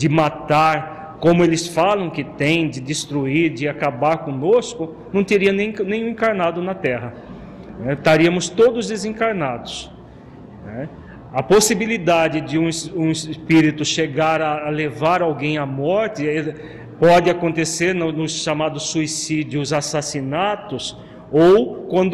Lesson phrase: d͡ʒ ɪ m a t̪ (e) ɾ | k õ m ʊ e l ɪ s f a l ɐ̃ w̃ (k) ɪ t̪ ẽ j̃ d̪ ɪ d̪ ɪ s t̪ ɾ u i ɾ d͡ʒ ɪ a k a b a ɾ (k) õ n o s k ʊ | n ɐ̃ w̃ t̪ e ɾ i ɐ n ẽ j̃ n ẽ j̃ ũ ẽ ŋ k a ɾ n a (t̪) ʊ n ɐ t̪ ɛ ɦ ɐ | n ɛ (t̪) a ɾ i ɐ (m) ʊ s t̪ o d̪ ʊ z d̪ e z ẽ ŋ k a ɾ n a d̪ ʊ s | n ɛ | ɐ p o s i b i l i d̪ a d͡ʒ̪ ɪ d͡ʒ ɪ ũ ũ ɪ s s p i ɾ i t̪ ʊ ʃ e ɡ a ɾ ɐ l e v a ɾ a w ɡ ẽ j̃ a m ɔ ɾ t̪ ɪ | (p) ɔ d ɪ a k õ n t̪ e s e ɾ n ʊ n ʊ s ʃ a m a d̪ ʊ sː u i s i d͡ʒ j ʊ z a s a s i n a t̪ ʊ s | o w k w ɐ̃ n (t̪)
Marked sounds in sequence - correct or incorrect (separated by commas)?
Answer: incorrect, correct, correct, incorrect, correct, correct, correct, incorrect